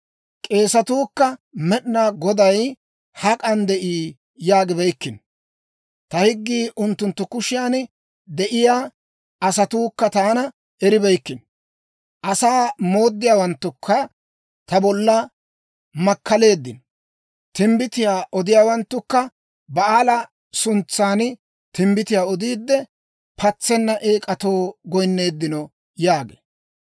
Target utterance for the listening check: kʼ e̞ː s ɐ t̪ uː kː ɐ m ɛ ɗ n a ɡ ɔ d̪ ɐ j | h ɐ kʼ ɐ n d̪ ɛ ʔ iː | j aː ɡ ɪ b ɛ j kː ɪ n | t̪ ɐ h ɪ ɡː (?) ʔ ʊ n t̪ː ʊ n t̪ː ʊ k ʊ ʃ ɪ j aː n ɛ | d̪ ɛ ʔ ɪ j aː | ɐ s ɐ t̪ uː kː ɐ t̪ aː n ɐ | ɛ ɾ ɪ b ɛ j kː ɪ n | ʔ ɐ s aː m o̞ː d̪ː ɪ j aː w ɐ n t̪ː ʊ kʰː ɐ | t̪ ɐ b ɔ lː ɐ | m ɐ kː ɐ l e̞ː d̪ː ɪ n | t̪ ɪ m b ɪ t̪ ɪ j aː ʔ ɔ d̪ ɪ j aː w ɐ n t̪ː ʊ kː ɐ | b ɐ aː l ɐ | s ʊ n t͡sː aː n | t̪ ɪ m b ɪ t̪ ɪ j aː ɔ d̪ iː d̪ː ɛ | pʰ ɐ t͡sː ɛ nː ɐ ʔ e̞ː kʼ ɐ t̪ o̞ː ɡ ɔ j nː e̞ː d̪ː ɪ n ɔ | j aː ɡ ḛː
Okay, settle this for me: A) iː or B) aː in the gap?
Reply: A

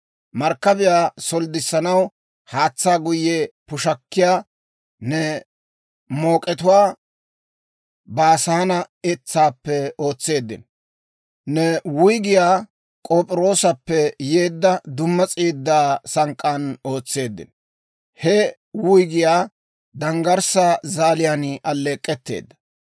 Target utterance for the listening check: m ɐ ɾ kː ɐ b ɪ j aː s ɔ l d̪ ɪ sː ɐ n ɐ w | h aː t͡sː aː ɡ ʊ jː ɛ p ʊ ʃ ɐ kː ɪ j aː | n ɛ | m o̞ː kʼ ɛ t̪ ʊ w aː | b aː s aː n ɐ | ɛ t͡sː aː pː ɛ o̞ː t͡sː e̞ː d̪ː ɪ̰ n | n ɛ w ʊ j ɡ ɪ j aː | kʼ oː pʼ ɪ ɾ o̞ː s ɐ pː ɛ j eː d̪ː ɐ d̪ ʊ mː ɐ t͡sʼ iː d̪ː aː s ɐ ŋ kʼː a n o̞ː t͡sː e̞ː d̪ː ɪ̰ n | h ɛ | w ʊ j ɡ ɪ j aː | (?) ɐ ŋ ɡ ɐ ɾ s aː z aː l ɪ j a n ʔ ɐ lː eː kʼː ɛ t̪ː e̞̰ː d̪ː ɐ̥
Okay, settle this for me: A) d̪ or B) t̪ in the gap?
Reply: A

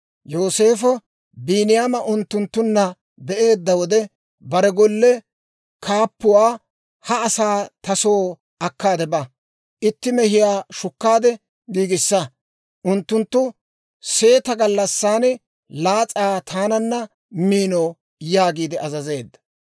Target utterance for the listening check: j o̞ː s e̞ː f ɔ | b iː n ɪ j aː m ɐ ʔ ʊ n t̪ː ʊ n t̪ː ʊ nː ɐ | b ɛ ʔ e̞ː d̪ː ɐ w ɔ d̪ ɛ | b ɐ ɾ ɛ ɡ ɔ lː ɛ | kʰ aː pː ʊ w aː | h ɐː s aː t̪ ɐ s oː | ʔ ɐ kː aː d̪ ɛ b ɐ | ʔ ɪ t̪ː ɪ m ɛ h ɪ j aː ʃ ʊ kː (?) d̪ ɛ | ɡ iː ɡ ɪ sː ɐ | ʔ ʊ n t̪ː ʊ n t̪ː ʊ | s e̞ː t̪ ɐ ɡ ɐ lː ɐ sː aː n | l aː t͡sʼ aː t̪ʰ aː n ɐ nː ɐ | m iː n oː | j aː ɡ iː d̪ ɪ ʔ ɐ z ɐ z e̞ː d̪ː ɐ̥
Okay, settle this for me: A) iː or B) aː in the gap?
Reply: B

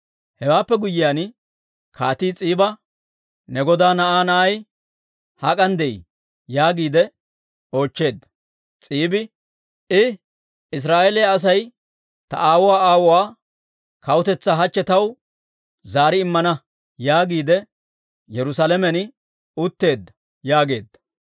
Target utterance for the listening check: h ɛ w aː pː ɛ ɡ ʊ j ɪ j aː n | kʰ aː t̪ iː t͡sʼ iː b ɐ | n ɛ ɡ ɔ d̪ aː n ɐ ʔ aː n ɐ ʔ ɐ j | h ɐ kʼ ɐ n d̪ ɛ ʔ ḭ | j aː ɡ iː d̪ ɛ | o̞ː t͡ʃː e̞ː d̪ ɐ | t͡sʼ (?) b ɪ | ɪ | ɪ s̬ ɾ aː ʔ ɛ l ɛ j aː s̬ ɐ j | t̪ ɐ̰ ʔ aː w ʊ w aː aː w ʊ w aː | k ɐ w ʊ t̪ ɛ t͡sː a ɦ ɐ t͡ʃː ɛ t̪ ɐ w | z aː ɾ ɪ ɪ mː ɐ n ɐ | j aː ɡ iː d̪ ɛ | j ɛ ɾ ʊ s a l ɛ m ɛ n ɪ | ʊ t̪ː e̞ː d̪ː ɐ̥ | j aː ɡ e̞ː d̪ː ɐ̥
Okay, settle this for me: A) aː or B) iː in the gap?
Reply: B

